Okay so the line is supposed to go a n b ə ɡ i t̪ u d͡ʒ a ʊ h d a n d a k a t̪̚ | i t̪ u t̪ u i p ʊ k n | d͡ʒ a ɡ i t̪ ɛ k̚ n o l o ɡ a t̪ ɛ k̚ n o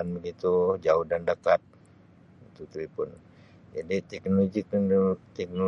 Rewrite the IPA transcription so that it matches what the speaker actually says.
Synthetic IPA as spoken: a n b ə ɡ i t̪ u d͡ʒ a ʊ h d a n d a k a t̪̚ | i t̪ u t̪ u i p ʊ n | d͡ʒ a d i t̪ ɛ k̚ n o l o ɡ i t̪ ɛ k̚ n o